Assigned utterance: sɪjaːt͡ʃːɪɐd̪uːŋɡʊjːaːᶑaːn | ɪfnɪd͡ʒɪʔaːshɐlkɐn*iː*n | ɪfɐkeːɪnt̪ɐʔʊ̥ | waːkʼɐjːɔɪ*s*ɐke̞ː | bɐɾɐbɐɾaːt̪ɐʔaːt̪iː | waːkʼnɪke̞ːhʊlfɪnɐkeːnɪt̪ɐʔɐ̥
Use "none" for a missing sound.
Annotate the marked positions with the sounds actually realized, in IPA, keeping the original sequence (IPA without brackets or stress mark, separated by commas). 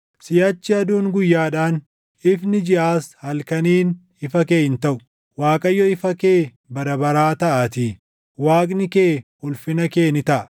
iː, f